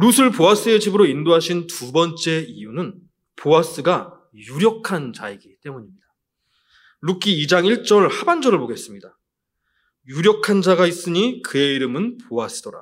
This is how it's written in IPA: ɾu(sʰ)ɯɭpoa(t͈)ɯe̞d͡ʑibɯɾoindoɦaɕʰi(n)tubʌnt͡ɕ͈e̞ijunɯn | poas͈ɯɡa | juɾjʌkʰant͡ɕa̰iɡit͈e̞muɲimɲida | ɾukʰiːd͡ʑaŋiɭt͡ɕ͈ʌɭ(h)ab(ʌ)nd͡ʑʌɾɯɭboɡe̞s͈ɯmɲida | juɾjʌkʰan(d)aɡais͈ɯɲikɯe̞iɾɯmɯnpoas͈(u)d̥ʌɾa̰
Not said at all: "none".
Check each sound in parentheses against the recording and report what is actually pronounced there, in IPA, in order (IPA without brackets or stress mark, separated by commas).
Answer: sʰ, s͈, n, h, a, d͡ʑ, ɯ